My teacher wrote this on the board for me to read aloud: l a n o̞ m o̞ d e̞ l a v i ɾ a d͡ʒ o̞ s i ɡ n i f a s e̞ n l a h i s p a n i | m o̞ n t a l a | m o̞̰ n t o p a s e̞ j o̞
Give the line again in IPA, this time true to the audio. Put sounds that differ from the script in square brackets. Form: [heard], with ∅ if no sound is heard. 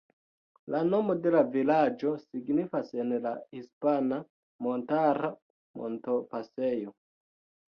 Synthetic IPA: l a n o̞ m o̞ d e̞ l a v i [l] a d͡ʒ o̞ s i ɡ n i f a s e̞ n l a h i s p a n [a] | m o̞ n t a [ɾ] a | m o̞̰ n t o p a s e̞ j o̞

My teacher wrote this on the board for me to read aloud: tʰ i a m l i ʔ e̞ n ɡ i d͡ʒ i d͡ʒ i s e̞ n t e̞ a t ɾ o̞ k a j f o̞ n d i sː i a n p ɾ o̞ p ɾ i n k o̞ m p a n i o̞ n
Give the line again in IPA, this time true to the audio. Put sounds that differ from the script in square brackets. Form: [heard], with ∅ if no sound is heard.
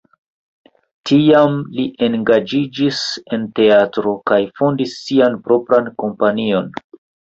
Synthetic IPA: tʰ i a m l i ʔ e̞ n ɡ [a] d͡ʒ i d͡ʒ i s e̞ n t e̞ a t ɾ o̞ k a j f o̞ n d i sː i a n p ɾ o̞ p ɾ [a] n k o̞ m p a n i o̞ n

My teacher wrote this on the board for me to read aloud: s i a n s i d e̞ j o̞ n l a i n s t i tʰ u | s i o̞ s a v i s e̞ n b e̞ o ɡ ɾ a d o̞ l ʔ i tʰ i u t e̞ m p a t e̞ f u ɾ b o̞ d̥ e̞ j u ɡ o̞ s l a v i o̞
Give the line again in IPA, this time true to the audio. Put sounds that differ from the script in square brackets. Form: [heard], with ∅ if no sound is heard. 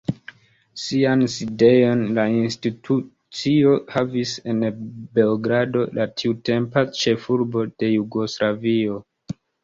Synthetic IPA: s i a n s i d e̞ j o̞ n l a i n s t i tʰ u | [t͡s] i o̞ [h] a v i s e̞ n b e̞ o ɡ ɾ a d o̞ l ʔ [a] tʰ i u t e̞ m p a [t͡ʃ] e̞ f u ɾ b o̞ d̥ e̞ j u ɡ o̞ s l a v i o̞

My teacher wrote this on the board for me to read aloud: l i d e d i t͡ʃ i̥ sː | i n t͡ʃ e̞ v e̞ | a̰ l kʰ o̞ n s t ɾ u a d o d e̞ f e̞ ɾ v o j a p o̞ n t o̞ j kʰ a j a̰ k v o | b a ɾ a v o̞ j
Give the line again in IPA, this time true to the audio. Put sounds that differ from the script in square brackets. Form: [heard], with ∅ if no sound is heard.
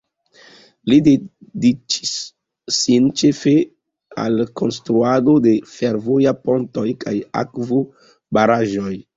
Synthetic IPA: l i d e d i t͡ʃ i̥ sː | i n t͡ʃ e̞ [f] e̞ | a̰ l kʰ o̞ n s t ɾ u a d o d e̞ f e̞ ɾ v o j a p o̞ n t o̞ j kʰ a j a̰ k v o | b a ɾ a [ʒ] o̞ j

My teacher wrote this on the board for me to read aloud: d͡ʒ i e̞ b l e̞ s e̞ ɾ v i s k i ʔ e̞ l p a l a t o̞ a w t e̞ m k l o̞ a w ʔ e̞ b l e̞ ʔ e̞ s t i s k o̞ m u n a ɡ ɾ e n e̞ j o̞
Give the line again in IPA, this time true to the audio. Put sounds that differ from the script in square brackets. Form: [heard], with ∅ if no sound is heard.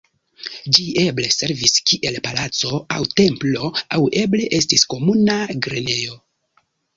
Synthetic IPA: d͡ʒ i e̞ b l e̞ s e̞ ɾ v i s k i ʔ e̞ l p a l a [t͡s] o̞ a w t e̞ m [p] l o̞ a w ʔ e̞ b l e̞ ʔ e̞ s t i s k o̞ m u n a ɡ ɾ e n e̞ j o̞

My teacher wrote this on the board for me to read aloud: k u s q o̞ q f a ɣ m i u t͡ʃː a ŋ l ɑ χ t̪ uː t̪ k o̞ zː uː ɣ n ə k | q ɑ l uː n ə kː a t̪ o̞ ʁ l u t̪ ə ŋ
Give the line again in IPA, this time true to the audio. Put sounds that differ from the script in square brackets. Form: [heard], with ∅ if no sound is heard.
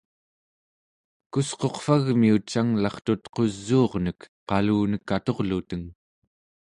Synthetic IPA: k u s q o̞ q f a ɣ m i u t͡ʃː a ŋ l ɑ χ t̪ [u] t̪ [q] o̞ zː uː [ʁ] n ə k | q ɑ l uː n ə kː a t̪ o̞ ʁ l u t̪ ə ŋ

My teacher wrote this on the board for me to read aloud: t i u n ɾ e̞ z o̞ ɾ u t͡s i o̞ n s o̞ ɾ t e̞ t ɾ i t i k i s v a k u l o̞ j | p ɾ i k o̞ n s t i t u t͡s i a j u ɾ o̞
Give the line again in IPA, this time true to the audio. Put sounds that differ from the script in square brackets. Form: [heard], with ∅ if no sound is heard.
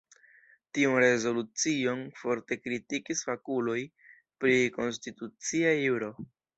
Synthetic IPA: t i u n ɾ e̞ z o̞ [l] u t͡s i o̞ n [f] o̞ ɾ t e̞ [k] ɾ i t i k i s [f] a k u l o̞ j | p ɾ i k o̞ n s t i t u t͡s i a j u ɾ o̞

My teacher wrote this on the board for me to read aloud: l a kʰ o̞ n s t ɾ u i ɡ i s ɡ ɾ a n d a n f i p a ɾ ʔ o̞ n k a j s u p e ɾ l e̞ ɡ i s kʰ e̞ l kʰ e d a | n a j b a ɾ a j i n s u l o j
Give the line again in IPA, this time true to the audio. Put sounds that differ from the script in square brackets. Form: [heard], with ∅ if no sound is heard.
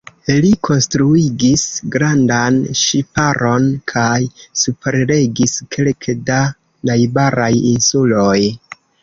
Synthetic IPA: l [i] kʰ o̞ n s t ɾ u i ɡ i s ɡ ɾ a n d a n [ʃ] i p a ɾ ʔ o̞ n [kʰ] a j s u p e ɾ l e̞ ɡ i s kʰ e̞ l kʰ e d a | n a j b a ɾ a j i n s u l o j

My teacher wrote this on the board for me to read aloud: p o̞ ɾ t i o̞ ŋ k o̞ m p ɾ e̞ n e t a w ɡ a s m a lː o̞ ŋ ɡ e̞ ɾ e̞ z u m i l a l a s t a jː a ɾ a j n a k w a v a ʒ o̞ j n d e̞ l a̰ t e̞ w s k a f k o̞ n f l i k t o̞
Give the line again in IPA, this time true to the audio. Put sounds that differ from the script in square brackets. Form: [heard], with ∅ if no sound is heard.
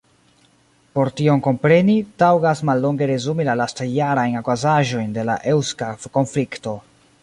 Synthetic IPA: p o̞ ɾ t i o̞ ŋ k o̞ m p ɾ e̞ n [i] t a w ɡ a s m a lː o̞ ŋ ɡ e̞ ɾ e̞ z u m i l a l a s t a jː a ɾ a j n a k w a [z] a ʒ o̞ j n d e̞ l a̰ [ʔ] e̞ w s k a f k o̞ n f l i k t o̞

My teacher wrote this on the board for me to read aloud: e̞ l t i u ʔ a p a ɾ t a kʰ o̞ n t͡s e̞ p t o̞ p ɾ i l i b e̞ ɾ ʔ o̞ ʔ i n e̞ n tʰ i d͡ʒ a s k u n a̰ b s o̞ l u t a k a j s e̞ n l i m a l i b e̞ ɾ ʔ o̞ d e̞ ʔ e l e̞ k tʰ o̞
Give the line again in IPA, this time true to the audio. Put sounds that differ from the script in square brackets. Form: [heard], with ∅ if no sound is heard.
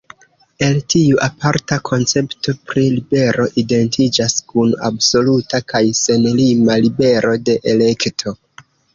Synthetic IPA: e̞ l t i u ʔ a p a ɾ t a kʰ o̞ n t͡s e̞ p t o̞ p ɾ i l i b e̞ ɾ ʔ o̞ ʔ i [d] e̞ n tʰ i d͡ʒ a s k u n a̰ b s o̞ l u t a k a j s e̞ n l i m a l i b e̞ ɾ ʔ o̞ d e̞ ʔ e l e̞ k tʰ o̞

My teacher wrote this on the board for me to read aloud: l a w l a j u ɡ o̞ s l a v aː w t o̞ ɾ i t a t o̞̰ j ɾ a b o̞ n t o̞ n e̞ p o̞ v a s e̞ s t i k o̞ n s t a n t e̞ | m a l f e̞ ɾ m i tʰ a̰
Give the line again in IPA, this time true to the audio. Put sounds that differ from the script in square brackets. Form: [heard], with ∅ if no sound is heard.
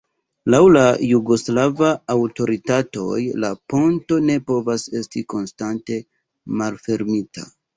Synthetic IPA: l a w l a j u ɡ o̞ s l a v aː w t o̞ ɾ i t a t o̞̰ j [l] a [p] o̞ n t o̞ n e̞ p o̞ v a s e̞ s t i k o̞ n s t a n t e̞ | m a l f e̞ ɾ m i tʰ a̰

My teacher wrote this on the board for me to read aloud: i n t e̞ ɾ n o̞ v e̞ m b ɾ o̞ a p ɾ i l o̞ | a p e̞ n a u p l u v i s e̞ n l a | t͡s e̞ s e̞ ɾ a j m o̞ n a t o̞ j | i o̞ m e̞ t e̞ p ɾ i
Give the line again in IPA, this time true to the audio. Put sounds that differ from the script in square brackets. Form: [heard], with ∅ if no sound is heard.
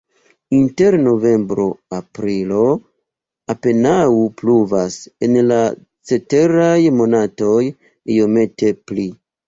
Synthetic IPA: i n t e̞ ɾ n o̞ v e̞ m b ɾ o̞ a p ɾ i l o̞ | a p e̞ n a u p l u v [a] s e̞ n l a | t͡s e̞ [t] e̞ ɾ a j m o̞ n a t o̞ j | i o̞ m e̞ t e̞ p [l] i

